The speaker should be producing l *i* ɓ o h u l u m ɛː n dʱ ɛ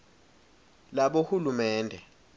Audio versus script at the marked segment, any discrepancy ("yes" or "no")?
yes